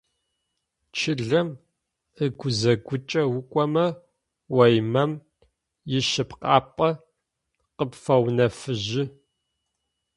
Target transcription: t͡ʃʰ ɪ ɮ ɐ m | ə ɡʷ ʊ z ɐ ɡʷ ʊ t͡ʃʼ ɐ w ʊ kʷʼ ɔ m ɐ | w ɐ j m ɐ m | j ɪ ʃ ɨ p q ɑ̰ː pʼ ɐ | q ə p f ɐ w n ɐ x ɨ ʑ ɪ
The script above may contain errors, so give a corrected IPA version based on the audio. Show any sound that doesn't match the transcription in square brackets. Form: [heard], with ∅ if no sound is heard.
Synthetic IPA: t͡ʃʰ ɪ ɮ ɐ m | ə ɡʷ ʊ z ɐ ɡʷ ʊ t͡ʃʼ ɐ w ʊ kʷʼ ɔ m ɐ | w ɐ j m ɐ m | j ɪ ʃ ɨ p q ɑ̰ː pʼ ɐ | q ə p f ɐ w n ɐ [f] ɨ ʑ ɪ

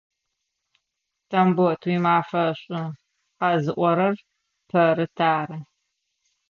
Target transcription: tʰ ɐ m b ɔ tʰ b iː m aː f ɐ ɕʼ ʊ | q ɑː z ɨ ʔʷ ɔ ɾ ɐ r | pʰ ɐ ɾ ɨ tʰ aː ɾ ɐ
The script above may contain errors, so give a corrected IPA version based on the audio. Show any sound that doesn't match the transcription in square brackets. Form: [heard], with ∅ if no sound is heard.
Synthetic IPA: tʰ ɐ m b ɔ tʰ [w] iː m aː f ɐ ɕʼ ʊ | q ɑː z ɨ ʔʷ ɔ ɾ ɐ r | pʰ ɐ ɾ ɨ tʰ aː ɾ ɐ

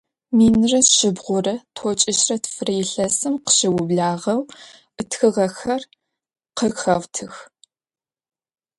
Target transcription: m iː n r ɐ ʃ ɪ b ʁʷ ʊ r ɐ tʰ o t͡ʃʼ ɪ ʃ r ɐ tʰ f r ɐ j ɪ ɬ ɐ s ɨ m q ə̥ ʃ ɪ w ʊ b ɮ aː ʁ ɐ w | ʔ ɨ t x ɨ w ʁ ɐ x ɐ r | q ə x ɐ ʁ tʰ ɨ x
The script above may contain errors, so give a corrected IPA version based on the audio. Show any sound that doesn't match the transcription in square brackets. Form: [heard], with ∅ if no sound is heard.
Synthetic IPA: m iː n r ɐ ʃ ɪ b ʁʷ ʊ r ɐ tʰ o t͡ʃʼ ɪ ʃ r ɐ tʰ f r ɐ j ɪ ɬ ɐ s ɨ m q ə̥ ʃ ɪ w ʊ b ɮ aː ʁ ɐ w | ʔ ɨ t x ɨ [∅] ʁ ɐ x ɐ r | q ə x ɐ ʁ tʰ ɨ x

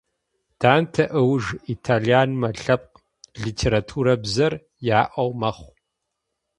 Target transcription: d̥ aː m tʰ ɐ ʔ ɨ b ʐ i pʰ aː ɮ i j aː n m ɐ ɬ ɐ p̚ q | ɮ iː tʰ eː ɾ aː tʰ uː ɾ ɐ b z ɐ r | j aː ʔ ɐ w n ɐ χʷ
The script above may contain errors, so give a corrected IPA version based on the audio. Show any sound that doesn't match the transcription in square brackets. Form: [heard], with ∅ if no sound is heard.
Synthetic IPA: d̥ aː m tʰ ɐ ʔ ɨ [w] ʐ i [tʰ] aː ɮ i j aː n m ɐ ɬ ɐ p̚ q | ɮ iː tʰ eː ɾ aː tʰ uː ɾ ɐ b z ɐ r | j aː ʔ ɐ w [m] ɐ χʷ

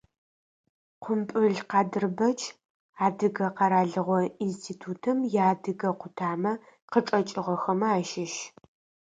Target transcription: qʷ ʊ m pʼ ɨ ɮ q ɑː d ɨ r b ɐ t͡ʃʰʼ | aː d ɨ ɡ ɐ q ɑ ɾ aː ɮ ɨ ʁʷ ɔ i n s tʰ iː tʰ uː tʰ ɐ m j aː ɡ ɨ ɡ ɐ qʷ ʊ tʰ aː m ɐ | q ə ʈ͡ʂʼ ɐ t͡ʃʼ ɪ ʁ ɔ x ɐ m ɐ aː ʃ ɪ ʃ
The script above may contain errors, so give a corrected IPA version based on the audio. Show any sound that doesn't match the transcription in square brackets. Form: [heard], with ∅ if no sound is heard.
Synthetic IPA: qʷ ʊ m pʼ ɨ ɮ q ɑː d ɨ r b ɐ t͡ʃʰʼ | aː d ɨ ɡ ɐ q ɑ ɾ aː ɮ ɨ ʁʷ ɔ i n s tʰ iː tʰ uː tʰ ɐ m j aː [d] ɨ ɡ ɐ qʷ ʊ tʰ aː m ɐ | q ə ʈ͡ʂʼ ɐ t͡ʃʼ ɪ ʁ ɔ x ɐ m ɐ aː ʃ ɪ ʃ

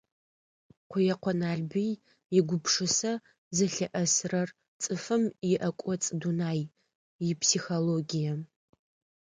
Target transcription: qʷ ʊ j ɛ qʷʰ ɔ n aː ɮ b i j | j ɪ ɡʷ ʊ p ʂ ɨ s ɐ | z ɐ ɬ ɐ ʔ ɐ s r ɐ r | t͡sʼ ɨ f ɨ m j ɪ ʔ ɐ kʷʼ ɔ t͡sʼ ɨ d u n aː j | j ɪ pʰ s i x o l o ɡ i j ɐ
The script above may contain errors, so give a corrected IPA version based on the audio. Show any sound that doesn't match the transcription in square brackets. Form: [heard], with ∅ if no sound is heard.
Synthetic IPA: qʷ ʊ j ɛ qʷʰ ɔ n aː ɮ b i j | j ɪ ɡʷ ʊ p ʂ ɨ s ɐ | z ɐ ɬ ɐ ʔ ɐ s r ɐ r | t͡sʼ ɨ f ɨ m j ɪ ʔ ɐ kʷʼ ɔ t͡sʼ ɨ d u n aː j | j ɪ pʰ s i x o l o ɡ i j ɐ

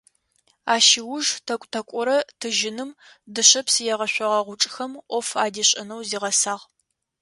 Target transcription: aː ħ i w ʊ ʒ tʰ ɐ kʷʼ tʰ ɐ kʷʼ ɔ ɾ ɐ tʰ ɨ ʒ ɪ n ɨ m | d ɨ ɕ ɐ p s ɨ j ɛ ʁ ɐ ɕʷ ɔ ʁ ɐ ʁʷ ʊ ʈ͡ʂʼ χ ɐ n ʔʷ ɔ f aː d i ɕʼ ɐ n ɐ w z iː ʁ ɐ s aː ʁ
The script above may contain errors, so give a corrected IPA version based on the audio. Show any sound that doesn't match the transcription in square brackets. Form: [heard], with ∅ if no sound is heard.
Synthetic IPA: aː [ʃ] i w ʊ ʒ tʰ ɐ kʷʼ tʰ ɐ kʷʼ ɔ ɾ ɐ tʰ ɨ ʒ ɪ n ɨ m | d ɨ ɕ ɐ p s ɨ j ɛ ʁ ɐ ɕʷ ɔ ʁ ɐ ʁʷ ʊ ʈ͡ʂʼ [x] ɐ [m] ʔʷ ɔ f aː d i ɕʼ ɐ n ɐ w z iː ʁ ɐ s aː ʁ

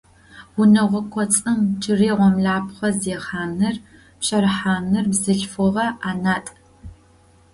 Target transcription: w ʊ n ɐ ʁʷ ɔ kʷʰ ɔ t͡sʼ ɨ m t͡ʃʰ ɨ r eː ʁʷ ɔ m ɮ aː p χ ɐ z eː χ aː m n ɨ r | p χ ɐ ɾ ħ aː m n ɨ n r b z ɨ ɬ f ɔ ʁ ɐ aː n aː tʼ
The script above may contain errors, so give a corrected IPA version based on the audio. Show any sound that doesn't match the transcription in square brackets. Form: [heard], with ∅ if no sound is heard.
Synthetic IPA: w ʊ n ɐ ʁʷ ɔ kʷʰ ɔ t͡sʼ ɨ m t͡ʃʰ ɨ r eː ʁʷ ɔ m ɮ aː p χ ɐ z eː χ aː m n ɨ r | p [ɕ] ɐ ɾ ħ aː m n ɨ [∅] r b z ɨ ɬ f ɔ ʁ ɐ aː n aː tʼ

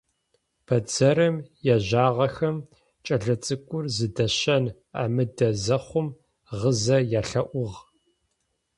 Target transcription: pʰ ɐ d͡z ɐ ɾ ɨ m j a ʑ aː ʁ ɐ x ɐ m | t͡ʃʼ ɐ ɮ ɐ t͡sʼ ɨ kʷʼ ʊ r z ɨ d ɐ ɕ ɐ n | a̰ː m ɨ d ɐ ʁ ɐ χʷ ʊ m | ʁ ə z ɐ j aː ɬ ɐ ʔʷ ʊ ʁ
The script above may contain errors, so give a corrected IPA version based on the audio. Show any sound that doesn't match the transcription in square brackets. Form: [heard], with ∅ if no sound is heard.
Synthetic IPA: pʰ ɐ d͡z ɐ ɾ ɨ m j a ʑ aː ʁ ɐ x ɐ m | t͡ʃʼ ɐ ɮ ɐ t͡sʼ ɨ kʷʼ ʊ r z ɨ d ɐ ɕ ɐ n | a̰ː m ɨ d ɐ [z] ɐ χʷ ʊ m | ʁ ə z ɐ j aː ɬ ɐ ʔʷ ʊ ʁ

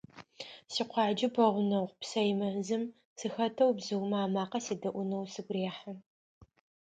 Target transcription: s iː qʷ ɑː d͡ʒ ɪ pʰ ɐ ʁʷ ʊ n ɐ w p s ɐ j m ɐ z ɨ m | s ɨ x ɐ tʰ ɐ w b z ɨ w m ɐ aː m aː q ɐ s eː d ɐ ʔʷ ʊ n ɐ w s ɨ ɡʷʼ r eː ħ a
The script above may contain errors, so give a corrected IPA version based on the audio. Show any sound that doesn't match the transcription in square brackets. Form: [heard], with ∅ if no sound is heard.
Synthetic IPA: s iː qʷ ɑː d͡ʒ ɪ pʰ ɐ ʁʷ ʊ n ɐ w p s ɐ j m ɐ z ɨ m | s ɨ x ɐ tʰ ɐ w b z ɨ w m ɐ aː m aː q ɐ s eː d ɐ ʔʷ ʊ n ɐ w s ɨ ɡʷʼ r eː ħ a

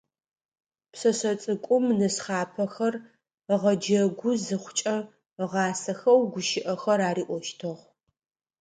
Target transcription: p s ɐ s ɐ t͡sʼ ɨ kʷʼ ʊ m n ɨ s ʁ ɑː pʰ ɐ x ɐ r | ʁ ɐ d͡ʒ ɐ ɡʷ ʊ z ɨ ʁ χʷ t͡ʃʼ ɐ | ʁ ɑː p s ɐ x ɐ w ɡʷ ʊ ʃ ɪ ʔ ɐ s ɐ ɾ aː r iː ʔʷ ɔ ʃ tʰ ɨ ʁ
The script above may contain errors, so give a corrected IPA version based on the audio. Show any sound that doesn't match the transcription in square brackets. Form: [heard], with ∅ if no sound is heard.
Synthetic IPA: p s ɐ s ɐ t͡sʼ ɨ kʷʼ ʊ m n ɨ s [χ] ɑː pʰ ɐ x ɐ r | ʁ ɐ d͡ʒ ɐ ɡʷ ʊ z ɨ [∅] χʷ t͡ʃʼ ɐ | ʁ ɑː [∅] s ɐ x ɐ w ɡʷ ʊ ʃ ɪ ʔ ɐ [x] ɐ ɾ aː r iː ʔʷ ɔ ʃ tʰ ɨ ʁ

